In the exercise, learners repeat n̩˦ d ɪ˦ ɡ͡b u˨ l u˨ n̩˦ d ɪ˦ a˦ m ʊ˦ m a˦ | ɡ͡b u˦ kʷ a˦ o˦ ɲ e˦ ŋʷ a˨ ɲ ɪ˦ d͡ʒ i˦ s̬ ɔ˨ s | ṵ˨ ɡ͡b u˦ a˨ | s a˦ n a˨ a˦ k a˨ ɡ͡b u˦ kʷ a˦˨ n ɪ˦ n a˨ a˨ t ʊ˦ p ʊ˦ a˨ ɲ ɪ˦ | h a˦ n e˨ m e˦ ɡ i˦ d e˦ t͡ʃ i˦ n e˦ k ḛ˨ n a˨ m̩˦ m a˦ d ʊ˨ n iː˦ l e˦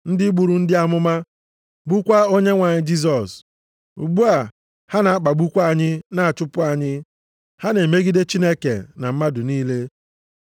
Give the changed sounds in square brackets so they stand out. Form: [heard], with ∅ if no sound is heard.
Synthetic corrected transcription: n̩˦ d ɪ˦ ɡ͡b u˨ [ɾ] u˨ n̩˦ d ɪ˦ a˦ m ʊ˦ m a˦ | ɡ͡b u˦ kʷ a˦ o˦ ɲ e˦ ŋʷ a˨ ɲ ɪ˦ d͡ʒ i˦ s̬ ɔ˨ s | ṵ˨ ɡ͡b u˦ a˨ | [h] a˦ n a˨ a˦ [k͡p] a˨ ɡ͡b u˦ kʷ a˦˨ [ɲ] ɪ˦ n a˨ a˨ [t͡ʃ] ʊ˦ p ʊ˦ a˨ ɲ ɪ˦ | h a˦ n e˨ m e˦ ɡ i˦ d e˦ t͡ʃ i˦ n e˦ k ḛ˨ n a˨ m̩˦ m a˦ d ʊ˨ n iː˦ l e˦